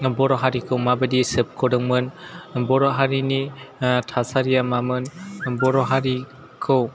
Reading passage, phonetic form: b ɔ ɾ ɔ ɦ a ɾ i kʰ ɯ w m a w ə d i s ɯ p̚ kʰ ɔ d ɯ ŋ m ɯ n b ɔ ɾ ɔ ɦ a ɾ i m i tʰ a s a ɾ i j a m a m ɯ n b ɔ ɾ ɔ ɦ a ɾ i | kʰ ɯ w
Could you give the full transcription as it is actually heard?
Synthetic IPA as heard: b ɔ ɾ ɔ ɦ a ɾ i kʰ ɯ w m a b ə d i s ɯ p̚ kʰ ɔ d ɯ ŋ m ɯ n b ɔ ɾ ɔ ɦ a ɾ i n i tʰ a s a ɾ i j a m a m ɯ n b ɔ ɾ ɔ ɦ a ɾ i | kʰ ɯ w